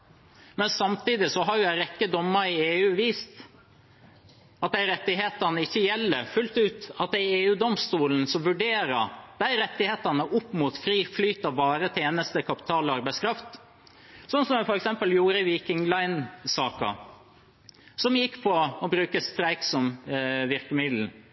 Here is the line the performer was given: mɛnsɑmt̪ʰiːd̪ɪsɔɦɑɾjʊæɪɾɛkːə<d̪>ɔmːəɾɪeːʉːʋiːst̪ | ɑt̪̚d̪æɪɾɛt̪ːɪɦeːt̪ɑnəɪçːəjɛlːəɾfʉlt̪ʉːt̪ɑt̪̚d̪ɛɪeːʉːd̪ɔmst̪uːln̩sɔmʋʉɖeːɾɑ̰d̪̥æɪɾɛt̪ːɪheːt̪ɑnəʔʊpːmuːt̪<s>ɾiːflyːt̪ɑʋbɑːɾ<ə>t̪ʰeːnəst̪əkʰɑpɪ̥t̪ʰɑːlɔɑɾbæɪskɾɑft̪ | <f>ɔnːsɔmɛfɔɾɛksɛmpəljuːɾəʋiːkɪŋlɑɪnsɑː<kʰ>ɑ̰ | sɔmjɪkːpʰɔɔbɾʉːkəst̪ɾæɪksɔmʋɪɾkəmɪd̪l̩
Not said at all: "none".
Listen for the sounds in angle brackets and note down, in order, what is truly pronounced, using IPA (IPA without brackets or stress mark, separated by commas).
d̪, f, ə, s, k